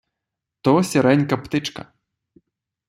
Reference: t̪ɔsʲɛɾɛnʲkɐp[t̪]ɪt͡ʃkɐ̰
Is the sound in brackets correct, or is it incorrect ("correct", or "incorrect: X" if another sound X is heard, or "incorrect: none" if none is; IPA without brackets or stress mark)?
correct